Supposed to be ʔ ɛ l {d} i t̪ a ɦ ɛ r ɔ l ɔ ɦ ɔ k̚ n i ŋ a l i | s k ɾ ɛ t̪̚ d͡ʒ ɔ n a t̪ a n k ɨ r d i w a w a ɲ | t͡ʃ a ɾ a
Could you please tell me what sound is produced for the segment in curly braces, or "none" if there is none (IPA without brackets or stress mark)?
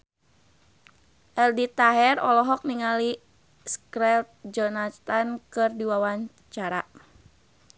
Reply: d